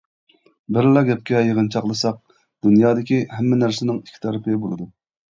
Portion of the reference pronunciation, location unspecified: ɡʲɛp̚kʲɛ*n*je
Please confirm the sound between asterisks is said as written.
no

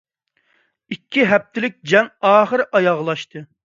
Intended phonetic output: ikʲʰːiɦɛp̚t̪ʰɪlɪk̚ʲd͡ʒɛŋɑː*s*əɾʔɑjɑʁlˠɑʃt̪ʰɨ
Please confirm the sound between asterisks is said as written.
no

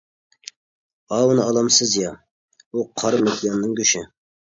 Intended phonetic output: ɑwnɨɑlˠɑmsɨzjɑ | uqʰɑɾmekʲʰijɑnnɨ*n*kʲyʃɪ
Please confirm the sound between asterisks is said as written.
no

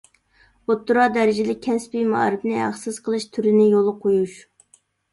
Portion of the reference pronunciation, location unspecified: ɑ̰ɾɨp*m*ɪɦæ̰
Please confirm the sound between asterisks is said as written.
no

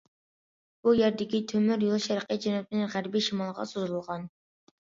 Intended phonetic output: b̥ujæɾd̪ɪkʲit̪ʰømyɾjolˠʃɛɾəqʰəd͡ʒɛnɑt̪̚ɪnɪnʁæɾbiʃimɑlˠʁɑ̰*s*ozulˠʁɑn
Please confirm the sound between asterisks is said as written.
yes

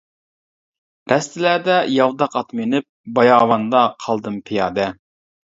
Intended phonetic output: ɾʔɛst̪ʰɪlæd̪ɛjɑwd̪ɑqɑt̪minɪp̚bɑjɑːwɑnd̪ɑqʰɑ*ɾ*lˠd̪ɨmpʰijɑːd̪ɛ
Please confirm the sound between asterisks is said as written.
no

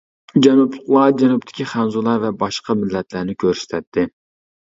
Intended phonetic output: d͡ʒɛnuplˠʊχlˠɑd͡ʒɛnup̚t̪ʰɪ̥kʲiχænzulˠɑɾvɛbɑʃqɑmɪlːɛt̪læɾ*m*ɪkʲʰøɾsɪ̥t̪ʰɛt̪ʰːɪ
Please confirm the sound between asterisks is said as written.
no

